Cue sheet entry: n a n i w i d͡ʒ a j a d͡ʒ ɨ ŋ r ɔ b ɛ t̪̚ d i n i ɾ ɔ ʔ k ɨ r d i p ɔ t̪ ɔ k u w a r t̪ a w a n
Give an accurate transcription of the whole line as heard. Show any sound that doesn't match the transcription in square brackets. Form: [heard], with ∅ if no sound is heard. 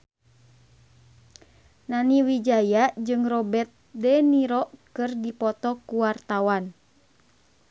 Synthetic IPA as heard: n a n i w i d͡ʒ a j a d͡ʒ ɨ ŋ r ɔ b ɛ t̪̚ d [ɛ] n i ɾ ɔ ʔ k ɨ r d i p ɔ t̪ ɔ k u w a r t̪ a w a n